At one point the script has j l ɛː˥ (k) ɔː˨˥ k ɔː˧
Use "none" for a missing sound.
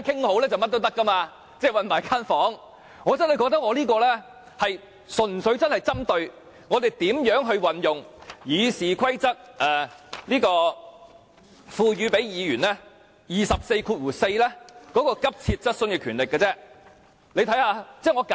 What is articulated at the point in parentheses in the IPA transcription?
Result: k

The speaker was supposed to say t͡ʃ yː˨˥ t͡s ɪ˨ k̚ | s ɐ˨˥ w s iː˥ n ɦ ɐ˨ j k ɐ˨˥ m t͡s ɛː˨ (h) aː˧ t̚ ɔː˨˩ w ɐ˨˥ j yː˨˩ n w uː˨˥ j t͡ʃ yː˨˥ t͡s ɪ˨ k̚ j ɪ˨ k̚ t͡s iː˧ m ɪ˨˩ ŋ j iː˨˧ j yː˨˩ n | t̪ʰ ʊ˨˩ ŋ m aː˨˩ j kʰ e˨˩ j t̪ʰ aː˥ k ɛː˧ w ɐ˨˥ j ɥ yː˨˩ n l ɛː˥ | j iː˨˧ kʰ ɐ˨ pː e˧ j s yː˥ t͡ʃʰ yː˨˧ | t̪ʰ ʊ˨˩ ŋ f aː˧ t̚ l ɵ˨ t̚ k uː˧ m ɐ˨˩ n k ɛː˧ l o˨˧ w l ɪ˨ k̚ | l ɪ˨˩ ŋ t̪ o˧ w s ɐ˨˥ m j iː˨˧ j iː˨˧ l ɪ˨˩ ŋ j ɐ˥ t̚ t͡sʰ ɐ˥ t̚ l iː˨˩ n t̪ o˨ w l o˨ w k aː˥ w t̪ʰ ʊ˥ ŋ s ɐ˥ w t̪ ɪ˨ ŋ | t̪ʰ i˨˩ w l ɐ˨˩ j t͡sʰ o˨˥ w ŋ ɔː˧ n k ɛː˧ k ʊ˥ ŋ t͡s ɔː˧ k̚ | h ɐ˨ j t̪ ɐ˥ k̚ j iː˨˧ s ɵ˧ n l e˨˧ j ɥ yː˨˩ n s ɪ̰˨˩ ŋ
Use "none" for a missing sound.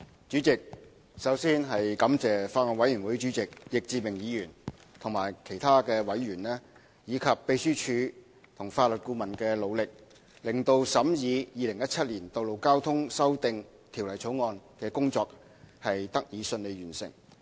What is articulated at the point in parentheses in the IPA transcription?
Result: f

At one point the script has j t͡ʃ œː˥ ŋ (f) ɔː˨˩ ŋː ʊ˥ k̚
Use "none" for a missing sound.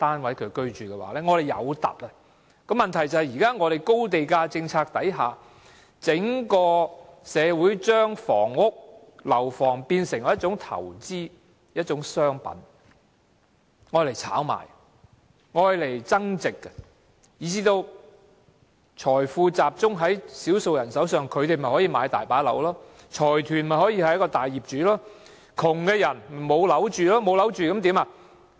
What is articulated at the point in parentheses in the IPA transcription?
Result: f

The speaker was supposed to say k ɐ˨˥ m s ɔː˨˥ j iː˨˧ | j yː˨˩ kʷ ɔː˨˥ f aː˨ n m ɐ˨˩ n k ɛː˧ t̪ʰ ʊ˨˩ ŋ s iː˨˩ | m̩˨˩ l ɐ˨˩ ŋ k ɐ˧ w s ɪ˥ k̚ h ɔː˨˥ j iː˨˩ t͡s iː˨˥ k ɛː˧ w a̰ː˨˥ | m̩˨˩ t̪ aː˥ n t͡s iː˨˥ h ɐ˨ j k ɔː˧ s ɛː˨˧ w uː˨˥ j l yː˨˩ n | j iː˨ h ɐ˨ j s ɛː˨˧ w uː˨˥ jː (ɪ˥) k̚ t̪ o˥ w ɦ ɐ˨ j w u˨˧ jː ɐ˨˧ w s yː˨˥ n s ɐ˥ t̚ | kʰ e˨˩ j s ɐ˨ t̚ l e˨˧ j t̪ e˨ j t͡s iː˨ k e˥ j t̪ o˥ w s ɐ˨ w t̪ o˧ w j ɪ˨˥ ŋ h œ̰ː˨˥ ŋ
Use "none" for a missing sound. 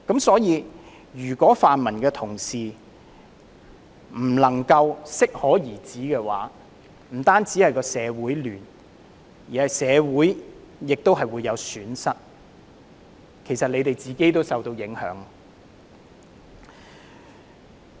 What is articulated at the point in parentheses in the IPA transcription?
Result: ɪ˨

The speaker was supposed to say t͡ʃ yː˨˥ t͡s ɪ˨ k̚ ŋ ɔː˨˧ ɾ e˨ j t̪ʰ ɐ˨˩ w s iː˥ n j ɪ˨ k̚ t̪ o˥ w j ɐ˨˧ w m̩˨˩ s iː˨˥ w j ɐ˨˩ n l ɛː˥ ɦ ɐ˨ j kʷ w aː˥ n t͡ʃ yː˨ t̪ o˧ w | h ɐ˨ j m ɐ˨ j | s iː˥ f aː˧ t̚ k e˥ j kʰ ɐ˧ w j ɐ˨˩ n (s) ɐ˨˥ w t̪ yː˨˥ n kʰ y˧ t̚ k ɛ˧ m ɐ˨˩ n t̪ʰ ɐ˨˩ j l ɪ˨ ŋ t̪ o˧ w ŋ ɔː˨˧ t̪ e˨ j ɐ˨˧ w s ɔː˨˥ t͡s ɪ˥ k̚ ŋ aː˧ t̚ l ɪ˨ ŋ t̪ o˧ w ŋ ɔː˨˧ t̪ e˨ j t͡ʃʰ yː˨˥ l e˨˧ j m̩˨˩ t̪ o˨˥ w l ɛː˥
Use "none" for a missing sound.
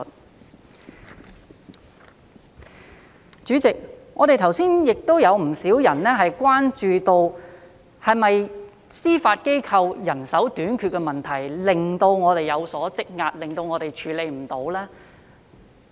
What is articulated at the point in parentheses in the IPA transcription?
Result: s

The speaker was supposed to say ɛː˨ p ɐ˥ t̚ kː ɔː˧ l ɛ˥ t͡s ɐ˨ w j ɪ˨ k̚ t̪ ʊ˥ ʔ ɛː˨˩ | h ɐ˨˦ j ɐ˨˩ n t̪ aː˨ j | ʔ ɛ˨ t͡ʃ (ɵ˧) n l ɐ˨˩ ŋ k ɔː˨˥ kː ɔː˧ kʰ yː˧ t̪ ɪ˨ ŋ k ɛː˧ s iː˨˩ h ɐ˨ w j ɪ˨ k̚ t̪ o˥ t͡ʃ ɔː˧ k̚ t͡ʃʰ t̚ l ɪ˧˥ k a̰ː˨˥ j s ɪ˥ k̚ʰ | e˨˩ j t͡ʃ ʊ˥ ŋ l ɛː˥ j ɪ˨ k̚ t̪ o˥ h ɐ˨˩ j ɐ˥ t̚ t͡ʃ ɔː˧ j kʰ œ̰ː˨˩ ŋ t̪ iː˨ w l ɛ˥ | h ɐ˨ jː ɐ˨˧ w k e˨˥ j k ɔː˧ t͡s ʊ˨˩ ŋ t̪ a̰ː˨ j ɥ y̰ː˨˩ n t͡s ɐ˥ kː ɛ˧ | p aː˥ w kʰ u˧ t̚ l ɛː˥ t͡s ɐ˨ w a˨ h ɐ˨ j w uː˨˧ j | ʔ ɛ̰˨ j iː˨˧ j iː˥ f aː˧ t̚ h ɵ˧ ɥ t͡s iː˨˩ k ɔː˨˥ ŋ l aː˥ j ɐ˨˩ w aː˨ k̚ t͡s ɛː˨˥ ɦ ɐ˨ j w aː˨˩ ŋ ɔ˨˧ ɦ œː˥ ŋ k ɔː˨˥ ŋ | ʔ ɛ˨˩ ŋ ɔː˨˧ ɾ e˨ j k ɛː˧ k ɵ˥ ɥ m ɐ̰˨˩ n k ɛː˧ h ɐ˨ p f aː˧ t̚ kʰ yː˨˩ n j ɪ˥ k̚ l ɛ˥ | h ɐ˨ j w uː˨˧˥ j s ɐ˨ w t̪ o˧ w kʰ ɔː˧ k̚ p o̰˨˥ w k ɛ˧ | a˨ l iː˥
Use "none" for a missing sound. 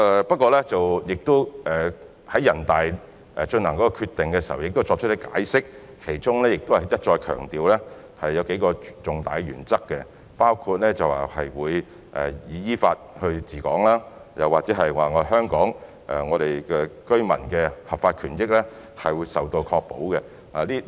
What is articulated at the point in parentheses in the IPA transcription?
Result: ɵ˧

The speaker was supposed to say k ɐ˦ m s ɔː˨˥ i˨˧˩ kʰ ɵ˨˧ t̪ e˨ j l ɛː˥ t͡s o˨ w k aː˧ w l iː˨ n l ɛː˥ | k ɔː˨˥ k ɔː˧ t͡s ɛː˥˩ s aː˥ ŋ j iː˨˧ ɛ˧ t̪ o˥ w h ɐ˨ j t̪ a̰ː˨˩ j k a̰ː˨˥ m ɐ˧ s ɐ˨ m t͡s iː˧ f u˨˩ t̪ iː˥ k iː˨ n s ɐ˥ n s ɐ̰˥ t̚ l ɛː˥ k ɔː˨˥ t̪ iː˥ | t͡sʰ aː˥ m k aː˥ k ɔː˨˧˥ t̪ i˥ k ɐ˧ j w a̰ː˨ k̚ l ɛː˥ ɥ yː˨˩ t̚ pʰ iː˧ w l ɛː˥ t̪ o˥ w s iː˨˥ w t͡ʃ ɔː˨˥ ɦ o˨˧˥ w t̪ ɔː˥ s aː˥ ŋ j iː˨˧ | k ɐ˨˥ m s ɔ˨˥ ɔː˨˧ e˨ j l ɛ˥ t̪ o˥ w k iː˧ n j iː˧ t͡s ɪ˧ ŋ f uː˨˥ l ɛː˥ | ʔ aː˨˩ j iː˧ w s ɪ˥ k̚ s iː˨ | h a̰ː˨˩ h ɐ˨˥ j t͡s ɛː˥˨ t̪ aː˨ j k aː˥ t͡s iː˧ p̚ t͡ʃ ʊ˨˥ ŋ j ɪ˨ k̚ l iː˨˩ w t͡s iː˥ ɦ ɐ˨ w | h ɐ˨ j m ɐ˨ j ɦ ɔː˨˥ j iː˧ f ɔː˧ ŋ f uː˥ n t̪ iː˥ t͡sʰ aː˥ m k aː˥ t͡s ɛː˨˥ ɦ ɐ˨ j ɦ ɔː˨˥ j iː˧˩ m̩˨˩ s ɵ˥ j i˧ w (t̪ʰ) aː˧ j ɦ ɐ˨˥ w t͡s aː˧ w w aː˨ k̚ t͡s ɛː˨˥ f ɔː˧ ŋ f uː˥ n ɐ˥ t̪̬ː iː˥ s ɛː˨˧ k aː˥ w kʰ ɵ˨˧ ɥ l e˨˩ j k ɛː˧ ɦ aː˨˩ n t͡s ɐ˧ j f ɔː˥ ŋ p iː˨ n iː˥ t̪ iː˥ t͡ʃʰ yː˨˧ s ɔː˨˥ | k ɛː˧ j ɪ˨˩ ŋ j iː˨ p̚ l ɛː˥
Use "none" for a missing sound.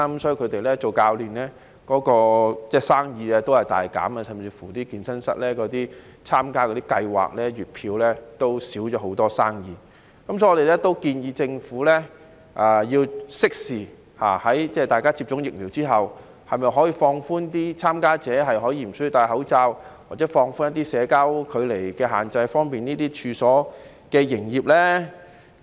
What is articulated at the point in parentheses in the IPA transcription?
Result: t̪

